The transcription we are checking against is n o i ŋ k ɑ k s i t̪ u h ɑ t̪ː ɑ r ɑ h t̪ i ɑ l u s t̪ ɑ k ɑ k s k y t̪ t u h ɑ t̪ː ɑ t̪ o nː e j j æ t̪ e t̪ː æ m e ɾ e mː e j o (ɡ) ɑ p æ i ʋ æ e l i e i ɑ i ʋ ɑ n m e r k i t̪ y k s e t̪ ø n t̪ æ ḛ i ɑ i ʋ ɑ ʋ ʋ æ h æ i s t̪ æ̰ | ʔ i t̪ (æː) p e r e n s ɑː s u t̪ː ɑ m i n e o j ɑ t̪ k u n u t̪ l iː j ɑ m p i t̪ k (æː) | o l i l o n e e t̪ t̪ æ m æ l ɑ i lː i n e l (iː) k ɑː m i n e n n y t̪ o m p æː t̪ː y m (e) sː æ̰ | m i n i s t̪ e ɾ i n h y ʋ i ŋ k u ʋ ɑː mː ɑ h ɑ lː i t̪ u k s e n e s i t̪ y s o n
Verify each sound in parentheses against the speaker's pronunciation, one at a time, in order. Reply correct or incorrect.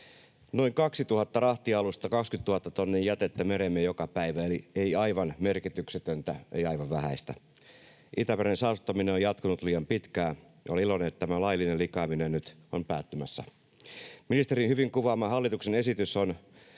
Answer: incorrect: k, incorrect: æ, correct, incorrect: i, incorrect: æ

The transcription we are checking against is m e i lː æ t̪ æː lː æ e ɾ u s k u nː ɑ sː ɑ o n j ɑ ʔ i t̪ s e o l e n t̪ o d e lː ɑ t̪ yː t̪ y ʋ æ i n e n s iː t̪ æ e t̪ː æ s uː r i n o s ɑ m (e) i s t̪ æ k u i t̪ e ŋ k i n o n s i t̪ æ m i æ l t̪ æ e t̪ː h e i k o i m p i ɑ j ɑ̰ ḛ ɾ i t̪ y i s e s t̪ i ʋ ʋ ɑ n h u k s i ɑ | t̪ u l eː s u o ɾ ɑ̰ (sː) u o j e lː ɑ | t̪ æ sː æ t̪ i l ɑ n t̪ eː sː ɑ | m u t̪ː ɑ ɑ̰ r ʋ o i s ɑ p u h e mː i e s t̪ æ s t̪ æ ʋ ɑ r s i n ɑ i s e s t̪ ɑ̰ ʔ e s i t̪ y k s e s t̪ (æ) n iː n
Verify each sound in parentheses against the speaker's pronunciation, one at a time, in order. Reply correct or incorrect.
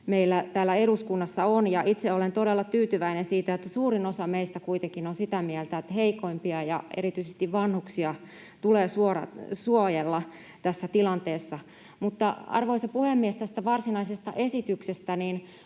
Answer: correct, incorrect: s, correct

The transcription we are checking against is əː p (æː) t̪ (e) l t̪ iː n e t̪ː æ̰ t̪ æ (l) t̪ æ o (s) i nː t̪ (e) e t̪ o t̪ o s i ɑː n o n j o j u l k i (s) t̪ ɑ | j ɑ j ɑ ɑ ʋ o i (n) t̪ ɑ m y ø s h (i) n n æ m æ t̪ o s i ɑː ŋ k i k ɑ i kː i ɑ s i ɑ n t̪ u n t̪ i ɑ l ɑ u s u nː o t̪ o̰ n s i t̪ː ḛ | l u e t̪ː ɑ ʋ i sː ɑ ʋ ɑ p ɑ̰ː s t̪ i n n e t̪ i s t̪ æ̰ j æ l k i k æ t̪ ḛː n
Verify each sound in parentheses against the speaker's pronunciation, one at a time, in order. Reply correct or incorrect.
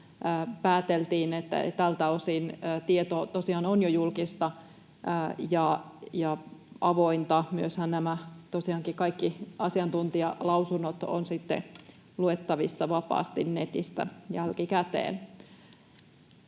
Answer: correct, correct, correct, correct, incorrect: i, correct, correct, incorrect: æ

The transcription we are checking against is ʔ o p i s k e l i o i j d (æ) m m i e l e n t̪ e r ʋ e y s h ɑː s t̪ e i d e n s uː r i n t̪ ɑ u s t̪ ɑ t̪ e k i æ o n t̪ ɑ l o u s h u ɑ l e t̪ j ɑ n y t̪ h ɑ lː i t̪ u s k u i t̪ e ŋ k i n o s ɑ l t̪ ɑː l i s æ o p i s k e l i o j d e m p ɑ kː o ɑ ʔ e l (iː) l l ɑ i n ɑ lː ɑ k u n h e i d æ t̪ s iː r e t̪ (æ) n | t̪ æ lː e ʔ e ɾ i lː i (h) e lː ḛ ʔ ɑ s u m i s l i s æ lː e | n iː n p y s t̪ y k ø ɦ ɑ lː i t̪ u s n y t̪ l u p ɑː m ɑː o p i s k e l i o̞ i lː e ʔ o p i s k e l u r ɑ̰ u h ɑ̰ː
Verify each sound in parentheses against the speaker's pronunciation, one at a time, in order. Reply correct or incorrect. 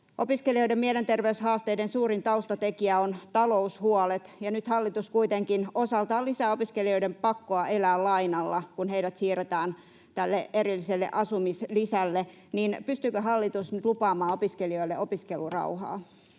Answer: incorrect: e, incorrect: æː, incorrect: æː, incorrect: s

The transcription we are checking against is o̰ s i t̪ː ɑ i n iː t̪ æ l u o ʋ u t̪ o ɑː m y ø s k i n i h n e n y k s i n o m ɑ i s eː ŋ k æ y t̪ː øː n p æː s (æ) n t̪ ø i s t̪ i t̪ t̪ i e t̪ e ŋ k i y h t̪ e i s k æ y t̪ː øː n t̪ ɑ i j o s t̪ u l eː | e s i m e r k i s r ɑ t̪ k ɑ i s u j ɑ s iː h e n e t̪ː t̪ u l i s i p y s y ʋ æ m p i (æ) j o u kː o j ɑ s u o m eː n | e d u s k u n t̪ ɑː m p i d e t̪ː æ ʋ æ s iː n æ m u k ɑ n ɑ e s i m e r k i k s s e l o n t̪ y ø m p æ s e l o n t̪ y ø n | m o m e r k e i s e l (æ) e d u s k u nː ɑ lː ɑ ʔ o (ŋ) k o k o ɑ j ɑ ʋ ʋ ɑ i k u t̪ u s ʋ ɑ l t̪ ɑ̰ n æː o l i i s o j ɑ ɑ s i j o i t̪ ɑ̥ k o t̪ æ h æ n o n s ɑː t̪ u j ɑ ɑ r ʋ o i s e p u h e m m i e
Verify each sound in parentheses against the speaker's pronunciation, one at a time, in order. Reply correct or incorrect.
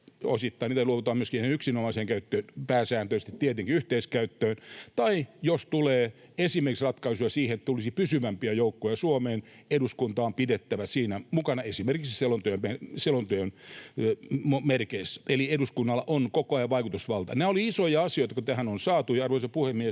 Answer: incorrect: æː, correct, incorrect: i, incorrect: n

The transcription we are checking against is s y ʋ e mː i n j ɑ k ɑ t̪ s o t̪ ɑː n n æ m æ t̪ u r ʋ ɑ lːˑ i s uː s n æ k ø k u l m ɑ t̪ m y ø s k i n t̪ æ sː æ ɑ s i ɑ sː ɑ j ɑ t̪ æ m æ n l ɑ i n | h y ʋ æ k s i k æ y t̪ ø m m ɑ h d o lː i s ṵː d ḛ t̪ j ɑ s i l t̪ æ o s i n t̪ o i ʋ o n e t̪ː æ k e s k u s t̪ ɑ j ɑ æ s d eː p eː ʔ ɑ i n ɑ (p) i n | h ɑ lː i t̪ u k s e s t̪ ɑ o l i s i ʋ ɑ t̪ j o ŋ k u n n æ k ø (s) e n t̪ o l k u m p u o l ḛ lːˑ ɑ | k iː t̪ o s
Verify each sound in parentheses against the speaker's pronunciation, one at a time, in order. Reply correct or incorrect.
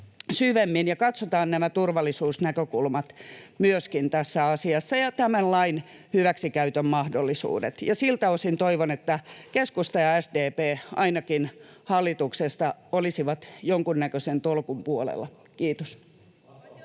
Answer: incorrect: k, correct

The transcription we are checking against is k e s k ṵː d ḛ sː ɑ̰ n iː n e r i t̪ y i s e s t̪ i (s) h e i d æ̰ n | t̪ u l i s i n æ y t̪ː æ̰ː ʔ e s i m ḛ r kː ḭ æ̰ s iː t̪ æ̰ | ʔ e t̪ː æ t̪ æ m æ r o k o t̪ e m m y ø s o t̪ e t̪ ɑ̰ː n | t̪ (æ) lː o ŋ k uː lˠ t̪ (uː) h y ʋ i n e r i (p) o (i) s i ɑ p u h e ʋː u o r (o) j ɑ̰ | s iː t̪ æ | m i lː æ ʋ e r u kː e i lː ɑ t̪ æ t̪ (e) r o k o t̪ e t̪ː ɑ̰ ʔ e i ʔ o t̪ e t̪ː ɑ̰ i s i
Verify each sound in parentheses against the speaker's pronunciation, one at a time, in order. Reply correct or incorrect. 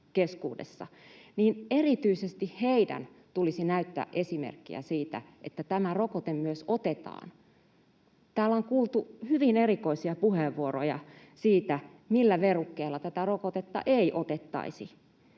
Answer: incorrect: h, incorrect: æː, incorrect: u, incorrect: k, correct, correct, incorrect: æ

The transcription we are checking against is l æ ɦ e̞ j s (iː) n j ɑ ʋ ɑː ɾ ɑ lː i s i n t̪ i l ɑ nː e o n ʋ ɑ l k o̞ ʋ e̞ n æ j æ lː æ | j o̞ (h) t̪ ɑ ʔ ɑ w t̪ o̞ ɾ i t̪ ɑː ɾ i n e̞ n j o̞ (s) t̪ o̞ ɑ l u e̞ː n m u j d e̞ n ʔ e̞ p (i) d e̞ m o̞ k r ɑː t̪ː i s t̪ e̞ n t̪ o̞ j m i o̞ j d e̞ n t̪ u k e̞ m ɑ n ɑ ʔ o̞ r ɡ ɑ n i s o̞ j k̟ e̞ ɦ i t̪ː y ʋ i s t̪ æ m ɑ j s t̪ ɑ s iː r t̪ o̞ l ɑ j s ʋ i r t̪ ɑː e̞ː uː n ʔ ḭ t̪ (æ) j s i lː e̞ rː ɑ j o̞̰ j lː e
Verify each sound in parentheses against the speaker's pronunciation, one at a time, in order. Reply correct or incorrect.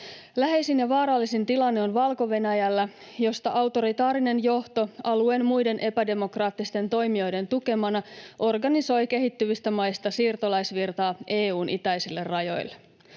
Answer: incorrect: i, incorrect: s, incorrect: h, incorrect: æ, correct

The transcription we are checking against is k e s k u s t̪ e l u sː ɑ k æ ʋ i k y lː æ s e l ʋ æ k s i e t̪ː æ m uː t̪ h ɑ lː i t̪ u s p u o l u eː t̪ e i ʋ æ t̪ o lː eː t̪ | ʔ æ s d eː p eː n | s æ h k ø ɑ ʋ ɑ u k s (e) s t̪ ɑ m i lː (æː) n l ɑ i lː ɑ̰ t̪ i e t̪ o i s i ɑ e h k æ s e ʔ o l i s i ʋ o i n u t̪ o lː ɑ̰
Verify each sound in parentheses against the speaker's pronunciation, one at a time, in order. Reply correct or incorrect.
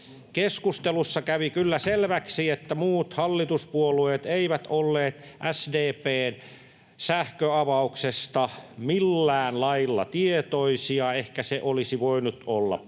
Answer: correct, correct

